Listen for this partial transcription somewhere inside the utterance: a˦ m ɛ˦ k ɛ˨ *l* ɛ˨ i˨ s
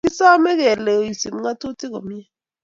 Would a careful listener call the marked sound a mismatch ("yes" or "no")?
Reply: no